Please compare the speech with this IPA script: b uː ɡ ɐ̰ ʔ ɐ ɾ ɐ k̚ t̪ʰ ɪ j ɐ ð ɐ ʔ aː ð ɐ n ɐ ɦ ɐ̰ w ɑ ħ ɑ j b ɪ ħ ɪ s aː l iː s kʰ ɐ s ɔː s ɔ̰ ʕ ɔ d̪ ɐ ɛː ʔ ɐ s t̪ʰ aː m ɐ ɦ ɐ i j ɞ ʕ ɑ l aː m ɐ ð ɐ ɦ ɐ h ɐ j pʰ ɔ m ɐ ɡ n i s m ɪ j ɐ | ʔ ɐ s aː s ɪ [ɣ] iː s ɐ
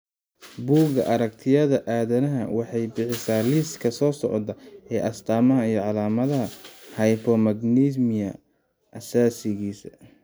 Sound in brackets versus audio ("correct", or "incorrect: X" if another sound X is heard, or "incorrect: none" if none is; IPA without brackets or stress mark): correct